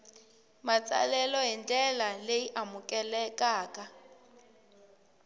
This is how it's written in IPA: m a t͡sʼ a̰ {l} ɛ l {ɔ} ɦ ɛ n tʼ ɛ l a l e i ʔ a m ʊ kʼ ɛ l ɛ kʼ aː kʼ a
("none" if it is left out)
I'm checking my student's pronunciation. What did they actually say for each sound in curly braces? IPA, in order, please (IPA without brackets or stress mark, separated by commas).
l, ɔ